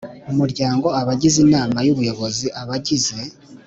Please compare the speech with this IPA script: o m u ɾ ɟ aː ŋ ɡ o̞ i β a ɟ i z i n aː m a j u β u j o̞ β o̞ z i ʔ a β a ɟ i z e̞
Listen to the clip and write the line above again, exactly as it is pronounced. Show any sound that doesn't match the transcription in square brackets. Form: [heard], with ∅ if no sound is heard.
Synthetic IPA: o m u ɾ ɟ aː ŋ ɡ o̞ [a] β a ɟ i z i n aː m a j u β u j o̞ β o̞ z i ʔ a β a ɟ i z e̞